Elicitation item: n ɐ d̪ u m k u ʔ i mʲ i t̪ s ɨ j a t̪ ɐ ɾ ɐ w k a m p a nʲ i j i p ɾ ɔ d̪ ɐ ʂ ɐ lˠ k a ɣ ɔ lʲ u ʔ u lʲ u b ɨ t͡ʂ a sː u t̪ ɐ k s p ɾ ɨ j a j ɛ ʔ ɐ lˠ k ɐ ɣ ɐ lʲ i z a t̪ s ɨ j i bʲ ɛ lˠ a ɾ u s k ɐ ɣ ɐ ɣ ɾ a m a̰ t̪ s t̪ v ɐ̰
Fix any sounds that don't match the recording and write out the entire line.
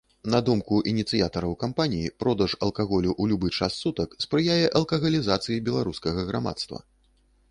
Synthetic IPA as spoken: n ɐ d̪ u m k u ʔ i nʲ i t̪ s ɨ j a t̪ ɐ ɾ ɐ w k a m p a nʲ i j i p ɾ ɔ d̪ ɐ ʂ ɐ lˠ k a ɣ ɔ lʲ u ʔ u lʲ u b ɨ t͡ʂ a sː u t̪ ɐ k s p ɾ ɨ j a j ɛ ʔ ɐ lˠ k ɐ ɣ ɐ lʲ i z a t̪ s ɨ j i bʲ ɛ lˠ a ɾ u s k ɐ ɣ ɐ ɣ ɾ a m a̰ t̪ s t̪ v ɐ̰